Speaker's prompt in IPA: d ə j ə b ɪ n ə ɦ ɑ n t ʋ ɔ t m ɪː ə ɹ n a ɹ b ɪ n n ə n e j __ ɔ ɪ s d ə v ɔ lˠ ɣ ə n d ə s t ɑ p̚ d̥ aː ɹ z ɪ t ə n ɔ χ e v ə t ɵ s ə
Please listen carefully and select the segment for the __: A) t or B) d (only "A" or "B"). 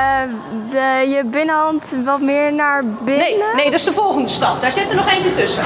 B